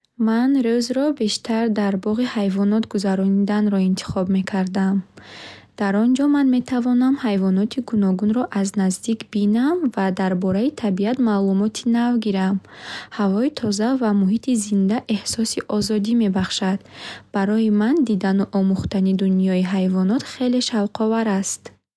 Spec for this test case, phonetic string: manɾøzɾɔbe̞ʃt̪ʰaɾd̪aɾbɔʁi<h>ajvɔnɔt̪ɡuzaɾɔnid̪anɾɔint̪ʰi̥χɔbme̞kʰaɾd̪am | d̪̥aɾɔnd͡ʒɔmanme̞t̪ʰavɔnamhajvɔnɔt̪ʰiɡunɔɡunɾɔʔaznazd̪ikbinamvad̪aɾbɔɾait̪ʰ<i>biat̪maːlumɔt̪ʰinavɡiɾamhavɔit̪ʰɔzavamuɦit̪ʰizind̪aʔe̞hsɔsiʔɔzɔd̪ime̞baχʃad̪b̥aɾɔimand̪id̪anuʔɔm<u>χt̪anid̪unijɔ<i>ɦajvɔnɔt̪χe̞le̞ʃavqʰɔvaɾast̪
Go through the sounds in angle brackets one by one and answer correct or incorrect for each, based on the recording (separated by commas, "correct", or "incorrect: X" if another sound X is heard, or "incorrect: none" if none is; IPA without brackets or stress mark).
correct, incorrect: a, correct, correct